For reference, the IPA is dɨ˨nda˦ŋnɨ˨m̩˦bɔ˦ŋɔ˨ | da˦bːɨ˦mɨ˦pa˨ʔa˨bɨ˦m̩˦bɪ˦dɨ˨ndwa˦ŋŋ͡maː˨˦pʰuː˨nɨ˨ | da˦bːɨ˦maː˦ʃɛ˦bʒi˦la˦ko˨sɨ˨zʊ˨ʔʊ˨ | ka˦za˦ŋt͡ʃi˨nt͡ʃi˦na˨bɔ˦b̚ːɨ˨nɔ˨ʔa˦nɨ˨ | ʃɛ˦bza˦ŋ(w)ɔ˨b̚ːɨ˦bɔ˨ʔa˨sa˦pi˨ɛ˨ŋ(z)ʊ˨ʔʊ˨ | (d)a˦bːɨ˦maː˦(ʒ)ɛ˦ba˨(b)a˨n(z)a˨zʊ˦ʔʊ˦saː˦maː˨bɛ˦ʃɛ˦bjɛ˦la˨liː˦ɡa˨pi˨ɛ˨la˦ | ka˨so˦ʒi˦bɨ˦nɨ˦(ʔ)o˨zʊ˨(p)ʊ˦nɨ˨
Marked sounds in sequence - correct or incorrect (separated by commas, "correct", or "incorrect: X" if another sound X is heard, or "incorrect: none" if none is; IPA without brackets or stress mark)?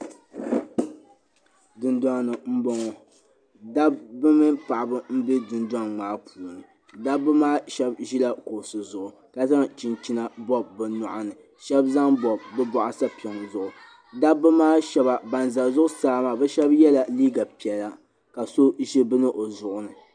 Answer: incorrect: b, correct, correct, incorrect: ʃ, correct, correct, correct, incorrect: ʔ